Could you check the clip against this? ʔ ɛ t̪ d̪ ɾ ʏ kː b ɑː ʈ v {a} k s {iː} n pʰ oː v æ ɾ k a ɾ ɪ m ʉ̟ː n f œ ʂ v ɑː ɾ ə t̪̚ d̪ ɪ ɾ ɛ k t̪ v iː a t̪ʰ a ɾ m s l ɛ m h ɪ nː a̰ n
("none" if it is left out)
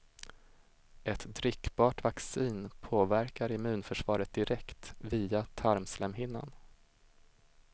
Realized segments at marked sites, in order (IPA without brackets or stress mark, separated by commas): a, iː